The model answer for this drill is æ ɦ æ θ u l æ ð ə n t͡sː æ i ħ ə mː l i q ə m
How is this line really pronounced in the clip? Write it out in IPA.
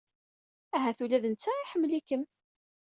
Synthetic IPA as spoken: æ ɦ æ θ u l æ ð ə n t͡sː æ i ħ ə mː l i k ə m

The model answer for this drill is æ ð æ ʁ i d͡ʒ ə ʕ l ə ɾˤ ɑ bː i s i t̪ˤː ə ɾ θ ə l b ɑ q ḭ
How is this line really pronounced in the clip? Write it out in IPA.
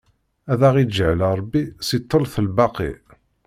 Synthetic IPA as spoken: æ ð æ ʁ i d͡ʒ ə ʕ l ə ɾˤ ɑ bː i s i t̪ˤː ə l θ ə l b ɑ q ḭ

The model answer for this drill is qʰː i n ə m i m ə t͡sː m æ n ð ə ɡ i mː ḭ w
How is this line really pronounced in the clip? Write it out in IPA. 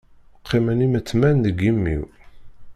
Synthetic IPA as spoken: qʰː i m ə n i m ə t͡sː m æ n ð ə ɡ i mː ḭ w

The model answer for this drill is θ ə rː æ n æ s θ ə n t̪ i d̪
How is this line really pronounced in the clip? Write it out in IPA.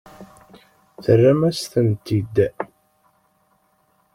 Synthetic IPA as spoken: θ ə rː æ m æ s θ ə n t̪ i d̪

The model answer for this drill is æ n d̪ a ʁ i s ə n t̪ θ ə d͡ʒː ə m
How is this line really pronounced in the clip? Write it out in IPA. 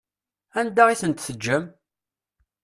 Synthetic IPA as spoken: æ n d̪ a ʁ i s ə n t̪ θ ə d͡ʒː ə m

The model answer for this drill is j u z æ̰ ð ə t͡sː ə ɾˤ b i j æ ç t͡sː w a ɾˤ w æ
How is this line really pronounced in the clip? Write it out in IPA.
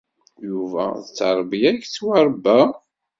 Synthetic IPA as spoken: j u v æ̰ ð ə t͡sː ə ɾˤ b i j æ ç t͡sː w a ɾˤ b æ

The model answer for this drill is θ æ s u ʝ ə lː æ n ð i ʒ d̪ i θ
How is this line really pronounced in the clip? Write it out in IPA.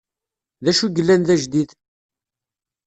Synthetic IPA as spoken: ð æ ʃ u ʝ ə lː æ n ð æ ʒ d̪ i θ

